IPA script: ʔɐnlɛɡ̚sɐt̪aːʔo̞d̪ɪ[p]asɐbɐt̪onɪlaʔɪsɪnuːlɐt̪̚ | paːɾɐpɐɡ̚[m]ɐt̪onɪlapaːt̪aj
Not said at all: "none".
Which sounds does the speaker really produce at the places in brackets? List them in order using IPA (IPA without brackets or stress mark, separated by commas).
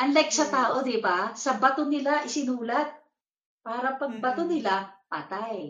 b, b